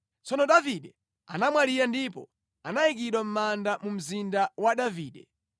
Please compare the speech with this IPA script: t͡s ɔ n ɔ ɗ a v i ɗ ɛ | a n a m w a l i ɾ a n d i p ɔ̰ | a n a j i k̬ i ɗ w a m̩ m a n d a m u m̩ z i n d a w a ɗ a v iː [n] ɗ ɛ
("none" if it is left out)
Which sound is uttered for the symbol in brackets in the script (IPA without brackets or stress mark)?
none